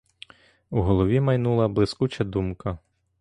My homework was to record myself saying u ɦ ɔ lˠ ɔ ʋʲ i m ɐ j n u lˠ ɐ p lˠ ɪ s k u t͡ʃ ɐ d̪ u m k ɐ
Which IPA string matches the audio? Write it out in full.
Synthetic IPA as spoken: u ɦ ɔ lˠ ɔ ʋʲ i m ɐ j n u lˠ ɐ b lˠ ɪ s k u t͡ʃ ɐ d̪ u m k ɐ